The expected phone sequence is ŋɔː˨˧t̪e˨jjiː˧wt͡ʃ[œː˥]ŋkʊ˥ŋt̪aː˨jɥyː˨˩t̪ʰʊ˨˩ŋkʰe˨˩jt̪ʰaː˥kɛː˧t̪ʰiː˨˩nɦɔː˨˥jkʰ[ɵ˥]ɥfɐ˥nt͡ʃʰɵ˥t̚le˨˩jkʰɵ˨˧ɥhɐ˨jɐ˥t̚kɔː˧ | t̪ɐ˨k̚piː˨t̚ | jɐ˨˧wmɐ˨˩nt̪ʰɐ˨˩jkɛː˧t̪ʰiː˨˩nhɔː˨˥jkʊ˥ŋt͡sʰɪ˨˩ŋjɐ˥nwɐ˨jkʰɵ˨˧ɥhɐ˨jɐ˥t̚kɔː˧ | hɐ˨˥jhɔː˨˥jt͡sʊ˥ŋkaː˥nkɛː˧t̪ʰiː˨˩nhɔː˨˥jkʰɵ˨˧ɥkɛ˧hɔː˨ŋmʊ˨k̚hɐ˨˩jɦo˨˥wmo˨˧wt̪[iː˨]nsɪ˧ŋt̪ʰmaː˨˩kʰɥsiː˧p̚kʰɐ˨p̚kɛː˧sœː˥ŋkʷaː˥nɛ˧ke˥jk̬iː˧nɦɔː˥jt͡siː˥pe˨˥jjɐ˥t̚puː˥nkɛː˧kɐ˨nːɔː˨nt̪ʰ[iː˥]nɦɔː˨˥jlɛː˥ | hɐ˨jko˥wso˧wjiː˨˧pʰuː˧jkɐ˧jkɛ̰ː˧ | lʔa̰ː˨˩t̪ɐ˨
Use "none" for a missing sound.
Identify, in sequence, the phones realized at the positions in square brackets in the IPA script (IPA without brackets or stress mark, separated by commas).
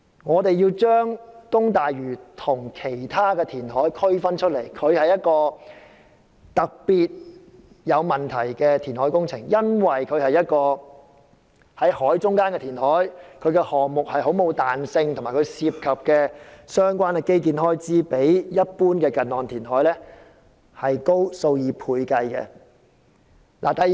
œː˥, ɵ˥, aː˨, iː˨˩